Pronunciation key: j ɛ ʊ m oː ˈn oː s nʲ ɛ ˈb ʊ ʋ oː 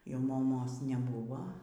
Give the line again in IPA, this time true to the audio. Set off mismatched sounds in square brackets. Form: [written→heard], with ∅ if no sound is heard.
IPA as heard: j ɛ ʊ m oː [ˈn→ˈm] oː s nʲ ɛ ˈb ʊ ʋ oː